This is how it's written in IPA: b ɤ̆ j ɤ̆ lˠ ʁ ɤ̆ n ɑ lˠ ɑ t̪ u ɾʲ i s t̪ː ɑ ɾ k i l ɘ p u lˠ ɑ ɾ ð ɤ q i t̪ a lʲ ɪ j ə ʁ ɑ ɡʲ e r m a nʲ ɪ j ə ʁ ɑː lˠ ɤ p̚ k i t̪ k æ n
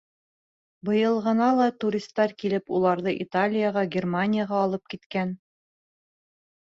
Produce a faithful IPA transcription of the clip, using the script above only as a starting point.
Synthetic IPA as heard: b ɤ̆ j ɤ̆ lˠ ʁ ɤ̆ n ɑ lˠ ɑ t̪ u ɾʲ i s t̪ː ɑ ɾ k i l ɘ p u lˠ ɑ ɾ ð ɤ ʔ i t̪ a lʲ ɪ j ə ʁ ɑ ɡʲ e r m a nʲ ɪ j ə ʁ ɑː lˠ ɤ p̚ k i t̪ k æ n